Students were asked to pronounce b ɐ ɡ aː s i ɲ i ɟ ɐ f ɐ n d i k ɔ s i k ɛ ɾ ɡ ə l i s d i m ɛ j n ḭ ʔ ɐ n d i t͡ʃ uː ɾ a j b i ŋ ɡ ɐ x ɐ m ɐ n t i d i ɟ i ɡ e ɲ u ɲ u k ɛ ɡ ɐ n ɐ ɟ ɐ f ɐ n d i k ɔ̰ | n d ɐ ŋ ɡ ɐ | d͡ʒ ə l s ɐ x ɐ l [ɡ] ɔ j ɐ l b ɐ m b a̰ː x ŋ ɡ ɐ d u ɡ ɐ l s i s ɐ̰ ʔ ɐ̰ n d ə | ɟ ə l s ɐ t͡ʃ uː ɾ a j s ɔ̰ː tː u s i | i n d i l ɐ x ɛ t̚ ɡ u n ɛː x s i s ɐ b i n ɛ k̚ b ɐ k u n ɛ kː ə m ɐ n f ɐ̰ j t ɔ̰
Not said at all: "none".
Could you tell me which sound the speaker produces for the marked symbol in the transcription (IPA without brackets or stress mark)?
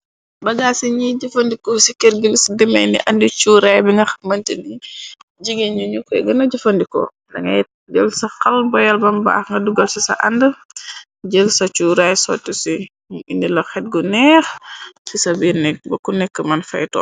b